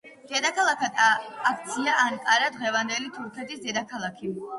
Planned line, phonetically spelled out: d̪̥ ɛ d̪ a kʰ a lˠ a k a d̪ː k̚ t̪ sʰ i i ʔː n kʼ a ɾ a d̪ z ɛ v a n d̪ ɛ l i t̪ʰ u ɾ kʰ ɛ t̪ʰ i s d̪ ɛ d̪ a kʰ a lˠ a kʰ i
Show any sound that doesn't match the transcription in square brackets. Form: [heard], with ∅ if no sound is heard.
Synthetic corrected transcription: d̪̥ ɛ d̪ a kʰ a lˠ a k a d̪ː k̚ t̪ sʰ i [a] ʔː n kʼ a ɾ a d̪ [ʁ] ɛ v a n d̪ ɛ l i t̪ʰ u ɾ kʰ ɛ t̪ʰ i s d̪ ɛ d̪ a kʰ a lˠ a kʰ i

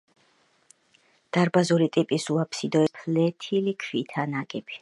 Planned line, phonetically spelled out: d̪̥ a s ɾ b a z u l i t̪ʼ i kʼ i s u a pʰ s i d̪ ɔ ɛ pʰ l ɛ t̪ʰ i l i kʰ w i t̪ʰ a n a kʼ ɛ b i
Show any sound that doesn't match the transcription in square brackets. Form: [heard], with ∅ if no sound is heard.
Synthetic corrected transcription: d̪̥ a [∅] ɾ b a z u [ɾ] i t̪ʼ i [pʼ] i s u a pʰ s i d̪ ɔ ɛ pʰ l ɛ t̪ʰ i l i kʰ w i t̪ʰ a n a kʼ ɛ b i

